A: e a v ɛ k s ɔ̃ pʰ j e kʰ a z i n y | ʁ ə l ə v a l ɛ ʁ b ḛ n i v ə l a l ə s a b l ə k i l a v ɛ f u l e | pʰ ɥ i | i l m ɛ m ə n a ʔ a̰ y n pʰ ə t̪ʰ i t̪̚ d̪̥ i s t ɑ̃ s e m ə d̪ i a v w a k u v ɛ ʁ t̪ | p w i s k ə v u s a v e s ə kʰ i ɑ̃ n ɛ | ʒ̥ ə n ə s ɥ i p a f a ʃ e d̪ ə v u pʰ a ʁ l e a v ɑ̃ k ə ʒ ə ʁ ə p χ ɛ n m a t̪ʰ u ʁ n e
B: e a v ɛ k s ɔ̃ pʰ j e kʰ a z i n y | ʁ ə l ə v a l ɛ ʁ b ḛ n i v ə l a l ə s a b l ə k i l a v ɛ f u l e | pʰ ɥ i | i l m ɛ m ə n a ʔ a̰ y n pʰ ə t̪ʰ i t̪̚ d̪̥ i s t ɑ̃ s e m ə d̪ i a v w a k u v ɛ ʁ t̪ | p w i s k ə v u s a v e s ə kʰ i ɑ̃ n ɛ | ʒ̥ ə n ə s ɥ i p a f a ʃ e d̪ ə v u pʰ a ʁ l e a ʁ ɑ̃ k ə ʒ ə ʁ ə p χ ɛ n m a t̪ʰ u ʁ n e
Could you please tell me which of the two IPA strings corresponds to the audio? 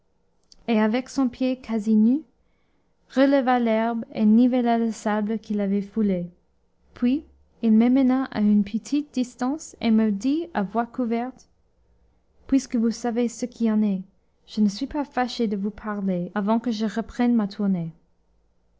A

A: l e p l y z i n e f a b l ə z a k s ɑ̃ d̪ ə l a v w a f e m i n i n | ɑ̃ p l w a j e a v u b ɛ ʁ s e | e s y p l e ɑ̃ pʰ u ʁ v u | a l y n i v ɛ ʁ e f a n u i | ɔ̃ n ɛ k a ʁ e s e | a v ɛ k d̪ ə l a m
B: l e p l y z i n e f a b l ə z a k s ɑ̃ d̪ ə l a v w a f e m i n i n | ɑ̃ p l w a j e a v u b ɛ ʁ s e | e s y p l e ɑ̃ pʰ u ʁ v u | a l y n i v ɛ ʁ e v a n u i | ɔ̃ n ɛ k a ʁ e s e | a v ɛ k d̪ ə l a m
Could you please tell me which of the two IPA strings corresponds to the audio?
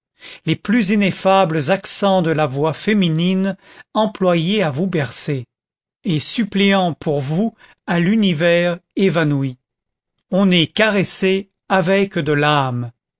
B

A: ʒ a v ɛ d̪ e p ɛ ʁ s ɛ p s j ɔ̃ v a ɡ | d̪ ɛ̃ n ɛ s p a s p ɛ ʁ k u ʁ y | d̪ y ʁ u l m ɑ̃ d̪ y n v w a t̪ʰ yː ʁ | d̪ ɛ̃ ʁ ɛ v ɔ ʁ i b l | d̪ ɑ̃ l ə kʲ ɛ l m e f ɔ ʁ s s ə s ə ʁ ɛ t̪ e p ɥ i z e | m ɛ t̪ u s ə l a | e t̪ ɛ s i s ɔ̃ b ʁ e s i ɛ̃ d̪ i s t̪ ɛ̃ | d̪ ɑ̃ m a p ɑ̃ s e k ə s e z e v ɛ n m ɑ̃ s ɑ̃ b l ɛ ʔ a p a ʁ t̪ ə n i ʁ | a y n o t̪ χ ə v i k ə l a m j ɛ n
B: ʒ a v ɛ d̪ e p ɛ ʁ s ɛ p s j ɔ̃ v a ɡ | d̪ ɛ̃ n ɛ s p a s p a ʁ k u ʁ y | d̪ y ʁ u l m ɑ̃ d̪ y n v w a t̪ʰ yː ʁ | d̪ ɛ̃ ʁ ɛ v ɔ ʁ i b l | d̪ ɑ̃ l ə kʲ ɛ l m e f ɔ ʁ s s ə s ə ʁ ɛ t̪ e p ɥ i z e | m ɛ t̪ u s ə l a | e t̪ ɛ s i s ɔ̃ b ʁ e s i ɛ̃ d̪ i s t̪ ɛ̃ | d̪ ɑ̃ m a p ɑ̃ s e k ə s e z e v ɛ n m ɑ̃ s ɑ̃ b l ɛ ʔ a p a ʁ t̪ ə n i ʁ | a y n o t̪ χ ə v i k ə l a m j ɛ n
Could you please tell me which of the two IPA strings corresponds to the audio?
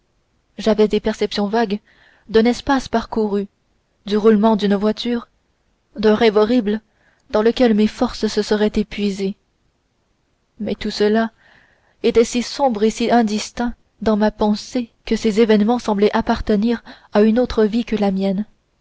B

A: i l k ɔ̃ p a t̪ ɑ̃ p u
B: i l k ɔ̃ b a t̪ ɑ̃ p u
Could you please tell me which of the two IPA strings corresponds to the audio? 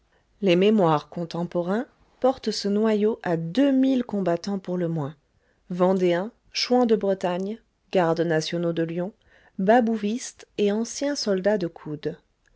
B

